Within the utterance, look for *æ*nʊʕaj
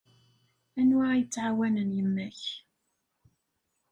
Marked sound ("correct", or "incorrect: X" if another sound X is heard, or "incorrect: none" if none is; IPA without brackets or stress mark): correct